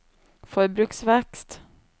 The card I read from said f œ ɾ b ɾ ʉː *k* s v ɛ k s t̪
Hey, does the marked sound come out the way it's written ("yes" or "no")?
yes